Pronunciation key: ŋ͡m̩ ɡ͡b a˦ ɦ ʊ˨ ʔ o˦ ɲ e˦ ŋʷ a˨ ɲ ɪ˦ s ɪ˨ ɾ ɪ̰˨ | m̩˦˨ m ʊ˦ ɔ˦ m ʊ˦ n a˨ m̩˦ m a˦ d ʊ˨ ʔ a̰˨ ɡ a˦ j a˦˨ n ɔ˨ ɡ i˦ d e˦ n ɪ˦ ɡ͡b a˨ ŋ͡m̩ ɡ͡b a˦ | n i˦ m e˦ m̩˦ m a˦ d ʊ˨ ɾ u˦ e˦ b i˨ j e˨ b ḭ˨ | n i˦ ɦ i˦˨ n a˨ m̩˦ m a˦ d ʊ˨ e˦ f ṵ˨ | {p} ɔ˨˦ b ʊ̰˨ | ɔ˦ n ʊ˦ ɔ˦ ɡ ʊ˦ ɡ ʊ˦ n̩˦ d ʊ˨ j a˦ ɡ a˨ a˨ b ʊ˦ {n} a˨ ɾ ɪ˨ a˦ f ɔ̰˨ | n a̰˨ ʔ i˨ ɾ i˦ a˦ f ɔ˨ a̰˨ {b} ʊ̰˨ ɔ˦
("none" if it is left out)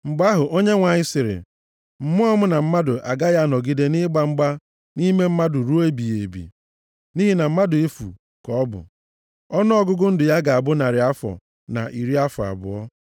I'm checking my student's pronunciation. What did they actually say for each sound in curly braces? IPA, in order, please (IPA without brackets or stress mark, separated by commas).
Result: k, n, b